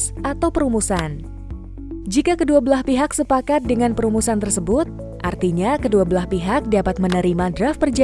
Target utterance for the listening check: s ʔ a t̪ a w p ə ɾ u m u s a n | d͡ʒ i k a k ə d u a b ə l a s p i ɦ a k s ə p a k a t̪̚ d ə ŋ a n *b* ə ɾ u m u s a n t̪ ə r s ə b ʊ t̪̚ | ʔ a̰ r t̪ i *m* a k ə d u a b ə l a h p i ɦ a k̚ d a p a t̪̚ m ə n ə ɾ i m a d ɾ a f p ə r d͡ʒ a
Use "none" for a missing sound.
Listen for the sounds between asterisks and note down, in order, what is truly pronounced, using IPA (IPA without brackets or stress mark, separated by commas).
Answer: p, ɲ